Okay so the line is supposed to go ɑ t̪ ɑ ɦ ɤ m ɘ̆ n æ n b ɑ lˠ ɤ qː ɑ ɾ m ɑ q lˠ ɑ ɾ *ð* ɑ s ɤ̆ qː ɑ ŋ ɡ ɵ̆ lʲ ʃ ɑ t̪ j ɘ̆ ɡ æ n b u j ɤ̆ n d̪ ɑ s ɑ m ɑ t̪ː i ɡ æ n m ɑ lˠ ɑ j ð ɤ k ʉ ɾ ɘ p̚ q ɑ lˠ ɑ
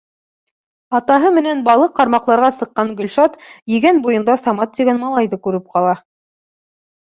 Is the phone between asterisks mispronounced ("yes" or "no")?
yes